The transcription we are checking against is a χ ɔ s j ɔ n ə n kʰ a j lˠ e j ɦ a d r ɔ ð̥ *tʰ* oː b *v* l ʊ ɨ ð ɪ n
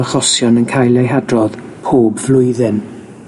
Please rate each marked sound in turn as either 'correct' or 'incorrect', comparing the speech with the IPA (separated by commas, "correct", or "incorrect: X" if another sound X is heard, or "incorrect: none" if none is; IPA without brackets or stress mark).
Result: incorrect: pʰ, correct